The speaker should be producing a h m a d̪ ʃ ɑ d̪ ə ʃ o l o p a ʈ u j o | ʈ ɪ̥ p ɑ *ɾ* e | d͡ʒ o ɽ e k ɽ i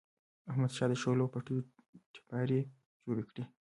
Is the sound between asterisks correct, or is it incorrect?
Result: correct